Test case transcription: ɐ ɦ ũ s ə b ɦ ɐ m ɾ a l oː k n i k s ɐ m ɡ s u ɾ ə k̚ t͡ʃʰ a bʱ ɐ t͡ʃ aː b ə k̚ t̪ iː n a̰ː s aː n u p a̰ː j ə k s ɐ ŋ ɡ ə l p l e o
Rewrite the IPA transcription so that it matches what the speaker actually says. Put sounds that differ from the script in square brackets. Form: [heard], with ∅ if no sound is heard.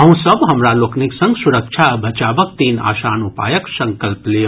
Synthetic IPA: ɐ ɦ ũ s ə b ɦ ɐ m ɾ a l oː k n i k s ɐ [ŋ] ɡ s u ɾ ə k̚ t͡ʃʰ a bʱ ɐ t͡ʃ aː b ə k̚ t̪ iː n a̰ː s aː n u p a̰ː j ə k s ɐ ŋ [k] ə l p l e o